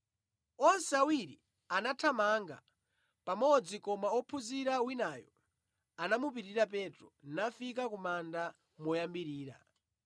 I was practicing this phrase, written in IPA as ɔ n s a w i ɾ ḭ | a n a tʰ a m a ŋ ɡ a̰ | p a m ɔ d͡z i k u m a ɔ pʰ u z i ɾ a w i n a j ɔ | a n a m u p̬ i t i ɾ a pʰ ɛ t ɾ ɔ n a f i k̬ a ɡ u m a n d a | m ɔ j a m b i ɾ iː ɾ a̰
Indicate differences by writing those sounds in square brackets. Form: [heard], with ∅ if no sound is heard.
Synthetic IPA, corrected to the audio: ɔ n s a w i ɾ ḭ | a n a tʰ a m a ŋ ɡ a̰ | p a m ɔ d͡z i k [ɔ] m a ɔ pʰ u z i ɾ a w i n a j ɔ | a n a m u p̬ i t i ɾ a [p] ɛ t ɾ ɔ n a f i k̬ a [k] u m a n d a | m ɔ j a m b i ɾ iː ɾ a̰